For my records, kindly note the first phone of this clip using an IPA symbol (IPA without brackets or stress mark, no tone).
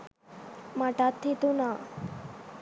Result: m